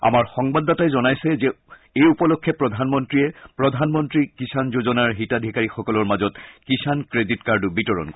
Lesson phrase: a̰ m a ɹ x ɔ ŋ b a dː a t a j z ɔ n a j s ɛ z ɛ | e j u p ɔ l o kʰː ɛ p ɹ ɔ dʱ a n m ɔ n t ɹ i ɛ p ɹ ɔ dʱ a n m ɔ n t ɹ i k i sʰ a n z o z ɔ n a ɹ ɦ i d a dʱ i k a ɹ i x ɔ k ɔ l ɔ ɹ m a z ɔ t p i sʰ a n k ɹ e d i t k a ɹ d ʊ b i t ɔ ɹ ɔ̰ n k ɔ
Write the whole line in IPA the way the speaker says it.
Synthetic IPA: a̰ m a ɹ x ɔ ŋ b a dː a t a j z ɔ n a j s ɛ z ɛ | e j u p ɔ l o kʰː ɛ p ɹ ɔ dʱ a n m ɔ n t ɹ i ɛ p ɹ ɔ dʱ a n m ɔ n t ɹ i k i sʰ a n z o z ɔ n a ɹ ɦ i t a dʱ i k a ɹ i x ɔ k ɔ l ɔ ɹ m a z ɔ t k i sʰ a n k ɹ e d i t k a ɹ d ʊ b i t ɔ ɹ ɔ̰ n k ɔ